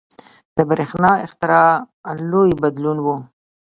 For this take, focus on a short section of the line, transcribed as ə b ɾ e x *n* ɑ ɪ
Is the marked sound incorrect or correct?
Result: correct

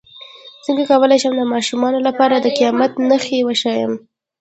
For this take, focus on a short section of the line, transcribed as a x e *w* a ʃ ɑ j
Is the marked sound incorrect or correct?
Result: correct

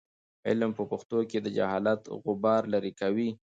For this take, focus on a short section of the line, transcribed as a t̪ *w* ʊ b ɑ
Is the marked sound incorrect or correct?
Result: incorrect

